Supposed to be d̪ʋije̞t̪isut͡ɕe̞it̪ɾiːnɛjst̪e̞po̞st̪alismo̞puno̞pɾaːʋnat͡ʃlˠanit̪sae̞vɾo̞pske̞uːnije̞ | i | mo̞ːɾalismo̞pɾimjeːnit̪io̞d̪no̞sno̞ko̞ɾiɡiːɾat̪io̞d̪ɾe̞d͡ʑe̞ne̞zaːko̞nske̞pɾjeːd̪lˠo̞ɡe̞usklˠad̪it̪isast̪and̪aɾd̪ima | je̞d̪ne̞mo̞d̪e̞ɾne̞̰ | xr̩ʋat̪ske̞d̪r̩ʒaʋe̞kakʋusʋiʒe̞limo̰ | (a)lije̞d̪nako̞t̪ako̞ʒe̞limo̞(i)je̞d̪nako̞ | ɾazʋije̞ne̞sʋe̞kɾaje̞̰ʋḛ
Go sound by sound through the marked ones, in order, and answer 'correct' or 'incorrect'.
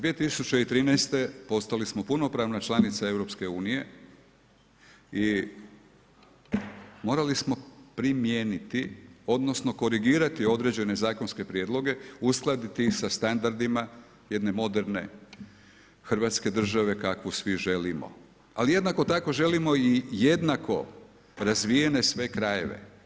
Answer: correct, correct

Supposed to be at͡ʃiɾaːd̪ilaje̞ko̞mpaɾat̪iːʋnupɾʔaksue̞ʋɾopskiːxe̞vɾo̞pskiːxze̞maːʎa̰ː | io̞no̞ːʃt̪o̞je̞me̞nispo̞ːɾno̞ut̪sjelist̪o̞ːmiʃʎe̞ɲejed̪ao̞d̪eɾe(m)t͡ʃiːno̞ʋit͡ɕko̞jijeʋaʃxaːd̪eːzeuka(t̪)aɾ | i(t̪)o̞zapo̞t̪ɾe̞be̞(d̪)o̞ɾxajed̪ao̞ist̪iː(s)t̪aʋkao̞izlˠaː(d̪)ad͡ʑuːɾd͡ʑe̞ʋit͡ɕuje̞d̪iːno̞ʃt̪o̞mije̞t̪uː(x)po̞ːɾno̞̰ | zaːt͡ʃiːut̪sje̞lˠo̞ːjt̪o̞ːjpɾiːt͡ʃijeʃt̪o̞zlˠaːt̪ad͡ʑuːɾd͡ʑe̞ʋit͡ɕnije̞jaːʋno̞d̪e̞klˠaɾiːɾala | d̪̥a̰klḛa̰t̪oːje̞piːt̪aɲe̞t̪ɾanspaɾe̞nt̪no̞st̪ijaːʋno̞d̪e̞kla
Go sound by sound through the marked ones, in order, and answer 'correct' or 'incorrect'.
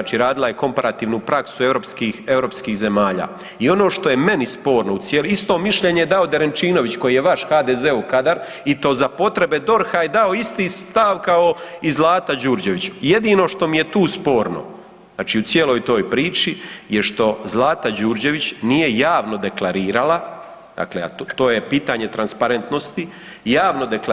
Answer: incorrect: n, incorrect: d̪, correct, correct, correct, incorrect: t̪, incorrect: s

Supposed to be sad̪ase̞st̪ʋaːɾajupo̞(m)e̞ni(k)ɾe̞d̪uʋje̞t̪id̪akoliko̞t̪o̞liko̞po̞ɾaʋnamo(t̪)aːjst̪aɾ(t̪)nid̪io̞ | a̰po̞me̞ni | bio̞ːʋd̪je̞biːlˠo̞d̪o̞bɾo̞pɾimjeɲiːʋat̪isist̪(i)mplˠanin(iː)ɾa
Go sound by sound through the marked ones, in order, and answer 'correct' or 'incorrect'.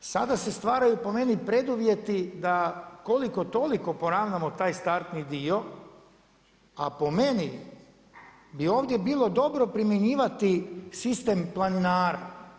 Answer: correct, incorrect: p, correct, correct, incorrect: e, incorrect: aː

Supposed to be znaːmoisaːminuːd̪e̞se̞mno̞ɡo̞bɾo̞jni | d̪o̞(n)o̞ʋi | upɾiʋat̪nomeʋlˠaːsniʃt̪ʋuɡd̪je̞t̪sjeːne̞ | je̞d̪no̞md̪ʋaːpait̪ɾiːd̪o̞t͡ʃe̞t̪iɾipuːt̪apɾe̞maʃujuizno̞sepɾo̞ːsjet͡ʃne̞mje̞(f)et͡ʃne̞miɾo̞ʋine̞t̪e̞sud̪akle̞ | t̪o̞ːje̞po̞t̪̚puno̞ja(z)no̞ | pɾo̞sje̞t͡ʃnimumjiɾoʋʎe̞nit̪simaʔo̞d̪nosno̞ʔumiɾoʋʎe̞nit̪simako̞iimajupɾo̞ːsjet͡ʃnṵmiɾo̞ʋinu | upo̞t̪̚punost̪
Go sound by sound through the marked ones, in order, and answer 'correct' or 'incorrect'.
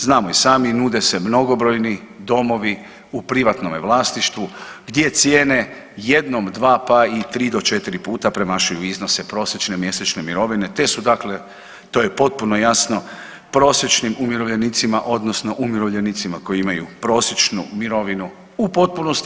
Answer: incorrect: m, incorrect: s, incorrect: s

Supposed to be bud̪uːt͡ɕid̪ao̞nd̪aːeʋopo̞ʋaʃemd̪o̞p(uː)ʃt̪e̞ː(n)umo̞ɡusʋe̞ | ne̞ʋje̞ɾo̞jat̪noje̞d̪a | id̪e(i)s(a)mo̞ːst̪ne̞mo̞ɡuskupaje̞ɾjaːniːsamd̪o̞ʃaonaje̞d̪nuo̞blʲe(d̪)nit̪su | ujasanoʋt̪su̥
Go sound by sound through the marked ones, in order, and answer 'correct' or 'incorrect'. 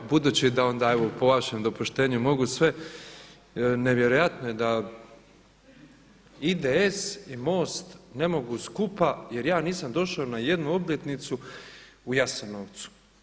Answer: incorrect: u, incorrect: ɲ, incorrect: e, incorrect: i, incorrect: t̪

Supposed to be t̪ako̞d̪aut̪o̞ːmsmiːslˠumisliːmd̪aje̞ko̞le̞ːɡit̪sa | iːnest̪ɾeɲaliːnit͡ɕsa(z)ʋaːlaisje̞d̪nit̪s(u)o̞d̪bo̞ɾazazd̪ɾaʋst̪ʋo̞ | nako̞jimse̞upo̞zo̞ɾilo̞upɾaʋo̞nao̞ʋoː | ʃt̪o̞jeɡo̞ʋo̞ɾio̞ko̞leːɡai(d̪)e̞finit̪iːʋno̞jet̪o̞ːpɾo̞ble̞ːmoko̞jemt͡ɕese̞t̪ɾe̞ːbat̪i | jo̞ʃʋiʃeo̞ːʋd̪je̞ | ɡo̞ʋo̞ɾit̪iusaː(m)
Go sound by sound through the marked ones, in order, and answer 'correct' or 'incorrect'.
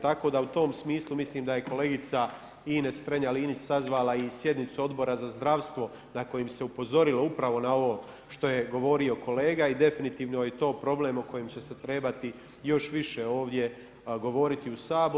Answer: correct, correct, correct, incorrect: b

